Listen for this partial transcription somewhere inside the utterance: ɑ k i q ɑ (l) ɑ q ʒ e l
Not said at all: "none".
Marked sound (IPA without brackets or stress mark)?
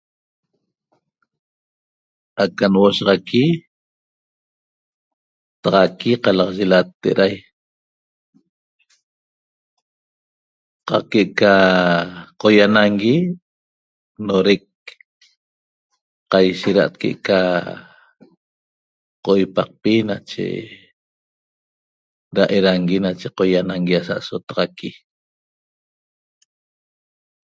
l